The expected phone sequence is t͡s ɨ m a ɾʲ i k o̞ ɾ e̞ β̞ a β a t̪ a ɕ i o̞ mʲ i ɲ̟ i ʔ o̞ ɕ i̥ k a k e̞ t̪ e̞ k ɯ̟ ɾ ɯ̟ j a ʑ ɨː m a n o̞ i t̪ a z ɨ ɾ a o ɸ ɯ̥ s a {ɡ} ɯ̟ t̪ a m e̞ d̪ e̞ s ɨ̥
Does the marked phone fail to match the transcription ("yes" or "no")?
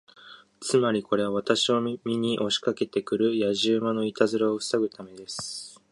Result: no